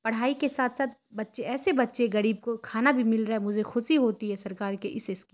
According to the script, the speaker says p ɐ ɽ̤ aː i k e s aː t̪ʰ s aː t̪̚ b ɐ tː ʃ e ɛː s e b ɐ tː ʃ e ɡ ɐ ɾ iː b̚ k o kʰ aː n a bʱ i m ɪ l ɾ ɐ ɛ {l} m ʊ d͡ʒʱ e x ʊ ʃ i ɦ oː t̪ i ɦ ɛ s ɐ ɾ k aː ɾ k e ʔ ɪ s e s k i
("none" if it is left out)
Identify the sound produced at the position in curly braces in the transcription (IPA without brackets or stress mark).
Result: none